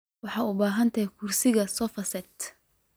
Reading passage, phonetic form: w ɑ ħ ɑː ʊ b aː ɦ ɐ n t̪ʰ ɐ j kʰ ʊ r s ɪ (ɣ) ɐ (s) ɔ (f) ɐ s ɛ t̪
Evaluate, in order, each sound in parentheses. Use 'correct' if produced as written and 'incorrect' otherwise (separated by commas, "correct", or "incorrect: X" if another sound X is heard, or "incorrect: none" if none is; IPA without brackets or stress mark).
correct, correct, correct